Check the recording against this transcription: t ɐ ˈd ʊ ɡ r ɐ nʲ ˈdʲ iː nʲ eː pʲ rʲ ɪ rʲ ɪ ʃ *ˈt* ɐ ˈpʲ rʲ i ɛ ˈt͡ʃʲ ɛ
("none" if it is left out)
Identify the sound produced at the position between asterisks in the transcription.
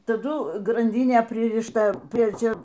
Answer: t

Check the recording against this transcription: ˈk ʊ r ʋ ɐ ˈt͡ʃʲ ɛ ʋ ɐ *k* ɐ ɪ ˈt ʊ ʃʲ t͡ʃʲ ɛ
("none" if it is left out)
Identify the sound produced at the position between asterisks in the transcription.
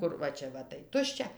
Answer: t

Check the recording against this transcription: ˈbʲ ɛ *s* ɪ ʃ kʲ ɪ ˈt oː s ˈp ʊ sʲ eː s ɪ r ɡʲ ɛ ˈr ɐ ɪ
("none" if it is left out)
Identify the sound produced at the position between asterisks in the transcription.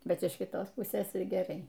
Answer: t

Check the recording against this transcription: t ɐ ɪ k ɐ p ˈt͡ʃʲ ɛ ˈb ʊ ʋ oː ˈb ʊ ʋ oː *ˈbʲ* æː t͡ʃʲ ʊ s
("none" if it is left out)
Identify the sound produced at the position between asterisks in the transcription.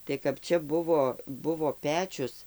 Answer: pʲ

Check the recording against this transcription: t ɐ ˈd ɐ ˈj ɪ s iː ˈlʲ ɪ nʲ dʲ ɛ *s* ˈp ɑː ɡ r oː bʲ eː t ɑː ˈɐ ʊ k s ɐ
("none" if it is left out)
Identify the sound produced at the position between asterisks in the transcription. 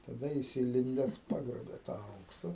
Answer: s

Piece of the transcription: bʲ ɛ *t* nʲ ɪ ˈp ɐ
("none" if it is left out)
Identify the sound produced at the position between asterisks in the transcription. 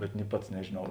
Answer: t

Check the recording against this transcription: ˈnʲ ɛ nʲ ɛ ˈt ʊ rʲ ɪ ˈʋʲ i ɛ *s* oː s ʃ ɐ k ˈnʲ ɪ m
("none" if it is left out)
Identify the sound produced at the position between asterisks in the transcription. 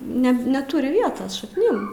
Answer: t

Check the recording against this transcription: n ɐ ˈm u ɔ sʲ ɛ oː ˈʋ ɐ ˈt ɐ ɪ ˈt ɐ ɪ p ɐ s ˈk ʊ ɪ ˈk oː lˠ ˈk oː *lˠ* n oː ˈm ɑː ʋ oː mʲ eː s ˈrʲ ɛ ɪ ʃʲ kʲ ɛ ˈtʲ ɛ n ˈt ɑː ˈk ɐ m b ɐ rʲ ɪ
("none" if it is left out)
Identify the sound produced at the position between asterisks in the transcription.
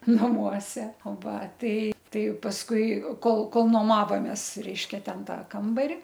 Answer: lˠ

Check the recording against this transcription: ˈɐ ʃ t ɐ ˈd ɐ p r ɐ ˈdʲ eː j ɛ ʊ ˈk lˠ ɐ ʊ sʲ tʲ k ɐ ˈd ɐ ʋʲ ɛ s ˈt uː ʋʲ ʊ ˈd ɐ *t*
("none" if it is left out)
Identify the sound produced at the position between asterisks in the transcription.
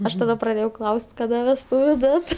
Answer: t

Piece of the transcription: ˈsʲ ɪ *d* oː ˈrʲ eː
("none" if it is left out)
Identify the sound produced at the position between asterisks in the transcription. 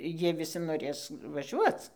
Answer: n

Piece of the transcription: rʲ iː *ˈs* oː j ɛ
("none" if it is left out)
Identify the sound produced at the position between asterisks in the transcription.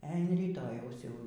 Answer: t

